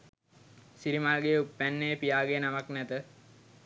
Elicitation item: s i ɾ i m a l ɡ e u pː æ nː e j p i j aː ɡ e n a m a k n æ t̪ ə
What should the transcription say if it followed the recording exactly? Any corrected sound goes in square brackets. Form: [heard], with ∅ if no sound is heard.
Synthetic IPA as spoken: s i ɾ i m a l ɡ e u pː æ nː e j p i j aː ɡ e n a m a k n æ t̪ ə